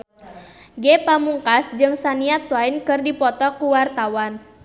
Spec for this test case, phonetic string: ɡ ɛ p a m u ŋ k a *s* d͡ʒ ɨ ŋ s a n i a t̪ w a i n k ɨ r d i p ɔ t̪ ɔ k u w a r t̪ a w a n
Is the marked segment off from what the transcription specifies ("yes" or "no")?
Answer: no